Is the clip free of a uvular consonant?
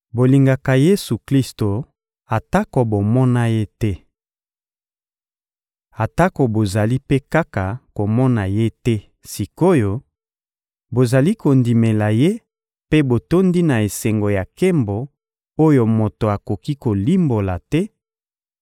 yes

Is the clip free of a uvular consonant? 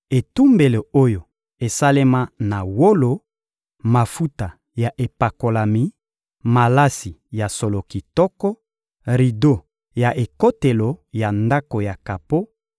no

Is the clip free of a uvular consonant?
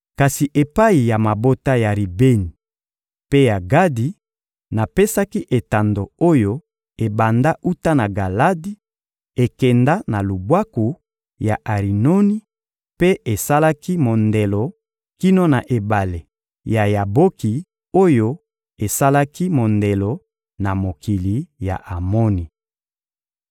no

